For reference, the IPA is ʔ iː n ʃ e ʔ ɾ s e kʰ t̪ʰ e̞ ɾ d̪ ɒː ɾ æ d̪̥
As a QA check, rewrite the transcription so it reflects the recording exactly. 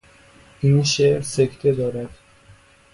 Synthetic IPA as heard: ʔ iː n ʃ e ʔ ɾ s e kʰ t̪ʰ e̞ d̪ ɒː ɾ æ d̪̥